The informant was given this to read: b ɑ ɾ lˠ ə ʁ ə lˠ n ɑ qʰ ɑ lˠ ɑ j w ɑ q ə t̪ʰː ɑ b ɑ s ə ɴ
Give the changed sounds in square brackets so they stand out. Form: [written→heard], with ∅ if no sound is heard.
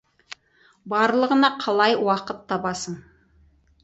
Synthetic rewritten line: b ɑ ɾ lˠ ə ʁ ə [lˠ→∅] n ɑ qʰ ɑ lˠ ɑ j w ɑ q ə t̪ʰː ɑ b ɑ s ə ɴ

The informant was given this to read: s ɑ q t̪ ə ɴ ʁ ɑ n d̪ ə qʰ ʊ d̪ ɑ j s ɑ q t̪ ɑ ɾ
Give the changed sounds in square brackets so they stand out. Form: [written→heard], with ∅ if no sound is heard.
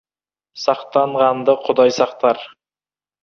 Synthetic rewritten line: s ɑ q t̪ [ə→ɑ] ɴ ʁ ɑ n d̪ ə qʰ ʊ d̪ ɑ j s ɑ q t̪ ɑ ɾ

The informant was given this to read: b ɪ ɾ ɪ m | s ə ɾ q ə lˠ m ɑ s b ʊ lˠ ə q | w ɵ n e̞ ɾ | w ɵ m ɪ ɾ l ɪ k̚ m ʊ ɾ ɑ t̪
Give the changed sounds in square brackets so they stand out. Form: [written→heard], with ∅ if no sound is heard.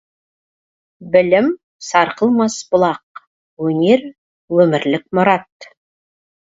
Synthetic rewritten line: b ɪ [ɾ→l] ɪ m | s [ə→ɑ] ɾ q ə lˠ m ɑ s b ʊ lˠ [ə→ɑ] q | w ɵ n e̞ ɾ | w ɵ m ɪ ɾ l ɪ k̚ m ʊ ɾ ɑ t̪

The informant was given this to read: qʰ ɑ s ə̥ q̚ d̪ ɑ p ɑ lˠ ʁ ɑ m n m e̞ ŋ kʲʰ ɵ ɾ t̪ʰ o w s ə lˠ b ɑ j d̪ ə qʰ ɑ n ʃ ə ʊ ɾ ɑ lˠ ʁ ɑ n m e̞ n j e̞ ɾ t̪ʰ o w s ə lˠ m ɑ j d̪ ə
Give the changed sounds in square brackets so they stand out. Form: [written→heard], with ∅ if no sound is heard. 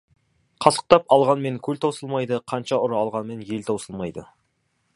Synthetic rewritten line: qʰ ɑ s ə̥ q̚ [d̪→t̪] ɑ p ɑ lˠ ʁ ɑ [m→∅] n m e̞ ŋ kʲʰ ɵ [ɾ→l] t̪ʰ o w s ə lˠ [b→m] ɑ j d̪ ə qʰ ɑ n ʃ [ə→ɑ] ʊ ɾ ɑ lˠ ʁ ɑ n m e̞ n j e̞ [ɾ→l] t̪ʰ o w s ə lˠ m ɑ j d̪ ə

